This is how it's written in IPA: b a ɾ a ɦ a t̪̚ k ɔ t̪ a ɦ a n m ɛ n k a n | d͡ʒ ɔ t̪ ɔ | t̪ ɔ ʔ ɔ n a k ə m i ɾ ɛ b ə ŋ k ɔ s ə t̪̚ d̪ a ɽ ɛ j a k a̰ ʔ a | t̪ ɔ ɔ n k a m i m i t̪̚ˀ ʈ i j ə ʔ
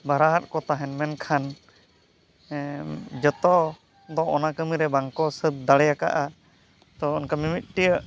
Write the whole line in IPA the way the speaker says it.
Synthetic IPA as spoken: b a ɾ a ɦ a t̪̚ k ɔ t̪ a ɦ ɛ n m ɛ n kʰ a n | d͡ʒ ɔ t̪ ɔ | d̪ ɔ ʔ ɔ n a k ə m i ɾ ɛ b a ŋ k ɔ s ə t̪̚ d̪ a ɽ ɛ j a k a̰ ʔ a | t̪ ɔ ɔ n k a m i m i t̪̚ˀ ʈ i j ə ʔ